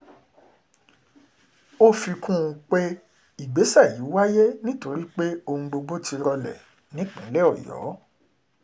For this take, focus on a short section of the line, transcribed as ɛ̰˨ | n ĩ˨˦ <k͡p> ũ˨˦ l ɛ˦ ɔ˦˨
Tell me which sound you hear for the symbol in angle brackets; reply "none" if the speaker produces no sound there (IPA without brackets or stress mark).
k͡p